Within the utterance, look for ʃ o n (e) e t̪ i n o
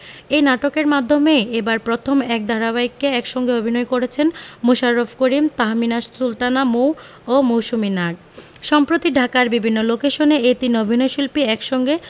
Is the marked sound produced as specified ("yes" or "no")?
yes